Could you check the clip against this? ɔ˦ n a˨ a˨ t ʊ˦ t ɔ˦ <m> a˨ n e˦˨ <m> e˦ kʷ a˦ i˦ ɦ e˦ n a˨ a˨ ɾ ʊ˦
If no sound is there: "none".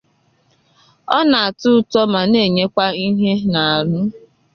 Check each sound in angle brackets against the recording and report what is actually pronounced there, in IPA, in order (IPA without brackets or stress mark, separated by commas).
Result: m, ɲ